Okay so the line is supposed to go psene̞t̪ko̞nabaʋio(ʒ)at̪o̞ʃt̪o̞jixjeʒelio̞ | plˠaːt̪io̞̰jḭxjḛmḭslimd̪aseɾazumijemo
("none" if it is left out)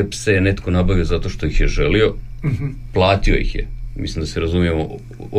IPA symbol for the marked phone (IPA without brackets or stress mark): z